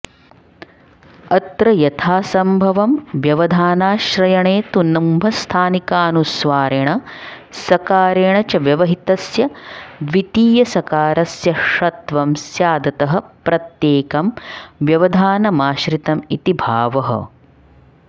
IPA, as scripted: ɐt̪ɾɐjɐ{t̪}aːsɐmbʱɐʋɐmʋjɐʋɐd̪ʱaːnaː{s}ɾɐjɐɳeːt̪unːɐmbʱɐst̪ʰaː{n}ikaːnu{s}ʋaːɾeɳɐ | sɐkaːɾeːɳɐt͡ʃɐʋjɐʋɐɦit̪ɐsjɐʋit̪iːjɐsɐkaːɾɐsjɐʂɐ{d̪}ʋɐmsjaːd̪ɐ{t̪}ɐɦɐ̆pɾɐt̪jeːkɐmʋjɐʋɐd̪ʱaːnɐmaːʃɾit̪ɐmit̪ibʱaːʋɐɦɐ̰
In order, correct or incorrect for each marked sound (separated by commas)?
incorrect, incorrect, correct, correct, incorrect, correct